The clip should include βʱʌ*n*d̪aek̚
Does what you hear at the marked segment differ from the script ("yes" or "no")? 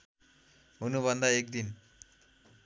no